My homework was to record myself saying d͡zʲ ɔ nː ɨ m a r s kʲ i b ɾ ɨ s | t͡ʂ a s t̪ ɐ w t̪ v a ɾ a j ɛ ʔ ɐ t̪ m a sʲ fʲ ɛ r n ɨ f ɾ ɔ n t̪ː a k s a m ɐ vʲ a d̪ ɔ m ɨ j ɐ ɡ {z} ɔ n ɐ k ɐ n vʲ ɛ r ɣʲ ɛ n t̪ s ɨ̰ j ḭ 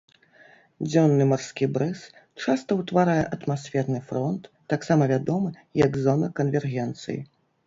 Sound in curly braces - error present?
no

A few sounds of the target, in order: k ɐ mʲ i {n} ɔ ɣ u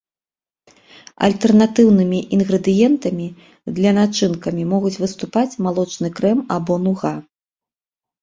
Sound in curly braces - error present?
yes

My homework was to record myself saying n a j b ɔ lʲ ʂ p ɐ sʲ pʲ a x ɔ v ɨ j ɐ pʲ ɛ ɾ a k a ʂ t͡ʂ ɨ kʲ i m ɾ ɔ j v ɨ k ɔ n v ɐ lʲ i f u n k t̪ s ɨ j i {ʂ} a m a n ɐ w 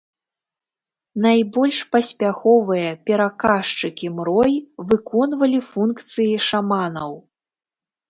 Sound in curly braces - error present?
no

